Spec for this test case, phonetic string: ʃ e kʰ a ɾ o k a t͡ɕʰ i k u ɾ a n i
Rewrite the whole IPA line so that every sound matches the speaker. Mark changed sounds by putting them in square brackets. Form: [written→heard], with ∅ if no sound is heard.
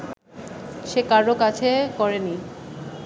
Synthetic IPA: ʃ e [kʰ→k] a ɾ o k a t͡ɕʰ [i→e] k [u→ɔ] ɾ [a→e] n i